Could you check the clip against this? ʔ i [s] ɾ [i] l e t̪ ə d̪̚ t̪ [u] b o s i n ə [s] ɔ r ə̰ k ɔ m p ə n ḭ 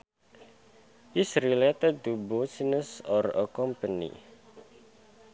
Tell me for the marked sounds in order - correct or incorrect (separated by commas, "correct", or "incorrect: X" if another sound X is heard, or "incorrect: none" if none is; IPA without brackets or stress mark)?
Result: correct, correct, correct, correct